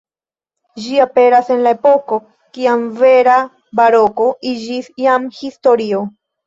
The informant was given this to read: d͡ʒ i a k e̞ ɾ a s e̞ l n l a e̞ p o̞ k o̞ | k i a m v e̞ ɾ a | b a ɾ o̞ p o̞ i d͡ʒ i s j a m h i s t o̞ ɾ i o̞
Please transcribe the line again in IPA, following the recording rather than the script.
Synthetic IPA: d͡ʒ i a p e̞ ɾ a s e̞ n l a e̞ p o̞ k o̞ | k i a m v e̞ ɾ a | b a ɾ o̞ k o̞ i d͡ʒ i s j a m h i s t o̞ ɾ i o̞